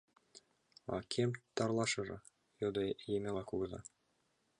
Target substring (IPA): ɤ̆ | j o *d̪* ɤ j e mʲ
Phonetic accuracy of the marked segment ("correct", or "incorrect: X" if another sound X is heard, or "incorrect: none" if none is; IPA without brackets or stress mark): correct